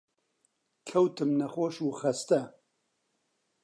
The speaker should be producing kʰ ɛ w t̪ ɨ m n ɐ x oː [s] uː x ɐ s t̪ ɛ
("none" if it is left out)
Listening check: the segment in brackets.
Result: ʃ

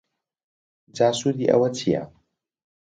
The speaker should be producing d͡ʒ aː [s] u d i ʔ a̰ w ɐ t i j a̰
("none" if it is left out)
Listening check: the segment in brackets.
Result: s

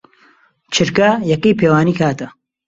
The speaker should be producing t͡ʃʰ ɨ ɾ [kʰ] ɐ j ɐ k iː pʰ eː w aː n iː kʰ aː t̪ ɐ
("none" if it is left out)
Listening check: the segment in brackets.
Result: k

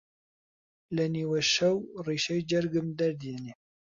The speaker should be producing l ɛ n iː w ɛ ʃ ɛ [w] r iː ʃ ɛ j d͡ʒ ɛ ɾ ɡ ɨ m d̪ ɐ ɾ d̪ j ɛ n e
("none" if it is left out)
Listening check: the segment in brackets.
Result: w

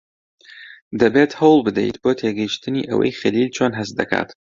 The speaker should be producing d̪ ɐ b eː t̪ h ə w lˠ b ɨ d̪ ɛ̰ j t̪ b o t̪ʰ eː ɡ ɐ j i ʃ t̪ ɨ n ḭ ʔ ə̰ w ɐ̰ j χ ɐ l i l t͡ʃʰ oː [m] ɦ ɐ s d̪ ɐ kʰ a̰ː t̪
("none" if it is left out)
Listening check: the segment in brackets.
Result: n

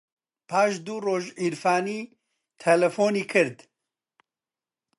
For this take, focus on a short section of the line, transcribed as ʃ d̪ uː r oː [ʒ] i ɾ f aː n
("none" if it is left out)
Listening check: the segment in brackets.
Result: ʒ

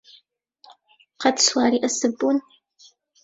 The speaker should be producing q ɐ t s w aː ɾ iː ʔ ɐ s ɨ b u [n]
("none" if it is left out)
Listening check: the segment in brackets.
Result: n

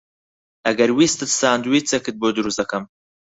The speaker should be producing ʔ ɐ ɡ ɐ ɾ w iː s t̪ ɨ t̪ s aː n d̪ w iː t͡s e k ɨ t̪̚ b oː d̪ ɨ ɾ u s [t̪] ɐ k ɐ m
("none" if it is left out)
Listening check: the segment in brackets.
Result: d̪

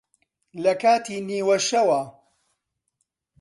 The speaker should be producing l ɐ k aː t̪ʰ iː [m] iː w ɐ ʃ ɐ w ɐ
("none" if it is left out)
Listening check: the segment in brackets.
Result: n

